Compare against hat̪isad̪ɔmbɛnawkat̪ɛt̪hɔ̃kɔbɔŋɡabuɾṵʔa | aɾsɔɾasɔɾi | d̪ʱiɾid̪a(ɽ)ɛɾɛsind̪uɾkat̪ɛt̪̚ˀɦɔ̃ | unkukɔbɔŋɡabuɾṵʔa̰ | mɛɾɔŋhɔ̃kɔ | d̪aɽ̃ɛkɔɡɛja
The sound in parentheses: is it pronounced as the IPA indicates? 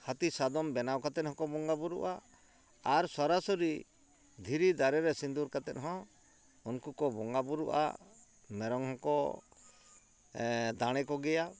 no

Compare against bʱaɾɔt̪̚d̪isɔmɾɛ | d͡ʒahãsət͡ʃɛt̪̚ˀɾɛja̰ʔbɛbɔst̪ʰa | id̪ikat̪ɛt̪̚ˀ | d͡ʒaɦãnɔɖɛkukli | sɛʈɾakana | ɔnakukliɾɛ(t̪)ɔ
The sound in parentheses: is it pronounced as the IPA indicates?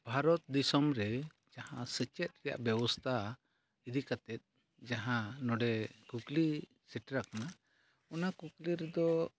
no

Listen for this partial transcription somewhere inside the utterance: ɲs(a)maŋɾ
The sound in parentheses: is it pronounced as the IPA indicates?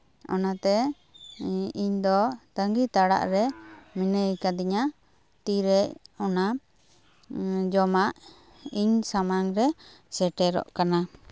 yes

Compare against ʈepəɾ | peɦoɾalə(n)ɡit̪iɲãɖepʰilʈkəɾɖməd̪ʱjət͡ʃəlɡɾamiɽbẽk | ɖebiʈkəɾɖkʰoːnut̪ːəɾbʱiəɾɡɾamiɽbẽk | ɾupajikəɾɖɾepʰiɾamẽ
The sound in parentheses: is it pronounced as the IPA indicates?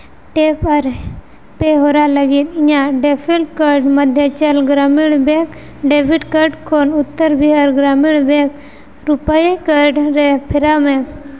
no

